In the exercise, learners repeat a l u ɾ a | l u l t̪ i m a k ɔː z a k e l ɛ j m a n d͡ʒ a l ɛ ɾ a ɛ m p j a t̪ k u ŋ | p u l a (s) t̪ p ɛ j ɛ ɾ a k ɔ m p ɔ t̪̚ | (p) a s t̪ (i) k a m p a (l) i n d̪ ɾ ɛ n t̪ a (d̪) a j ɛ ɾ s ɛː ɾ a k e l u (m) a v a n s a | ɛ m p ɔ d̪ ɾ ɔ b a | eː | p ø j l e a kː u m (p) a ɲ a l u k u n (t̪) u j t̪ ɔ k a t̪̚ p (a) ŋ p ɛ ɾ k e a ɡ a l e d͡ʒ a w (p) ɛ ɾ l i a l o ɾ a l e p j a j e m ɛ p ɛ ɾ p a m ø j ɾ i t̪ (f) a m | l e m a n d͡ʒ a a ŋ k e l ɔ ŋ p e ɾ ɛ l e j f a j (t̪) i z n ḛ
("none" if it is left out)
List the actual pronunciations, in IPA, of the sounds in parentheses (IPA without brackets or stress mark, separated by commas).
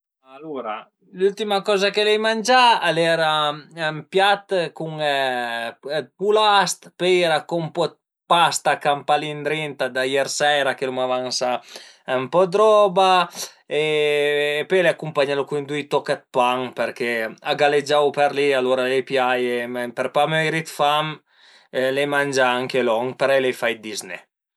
s, p, a, l, d̪, m, p, d̪, a, p, f, d̪